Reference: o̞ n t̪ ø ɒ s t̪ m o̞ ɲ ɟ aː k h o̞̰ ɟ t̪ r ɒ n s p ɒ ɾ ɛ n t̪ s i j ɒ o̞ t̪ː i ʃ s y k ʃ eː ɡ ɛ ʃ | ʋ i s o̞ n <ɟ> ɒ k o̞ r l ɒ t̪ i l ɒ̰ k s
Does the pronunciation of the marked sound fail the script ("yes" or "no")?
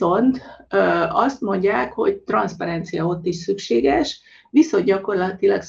no